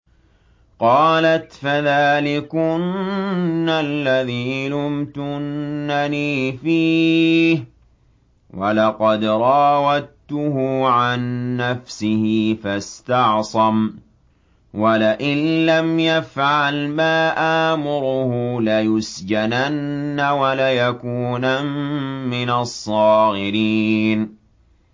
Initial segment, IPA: q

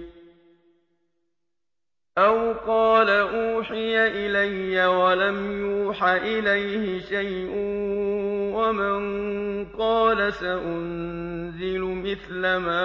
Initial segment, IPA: ʔ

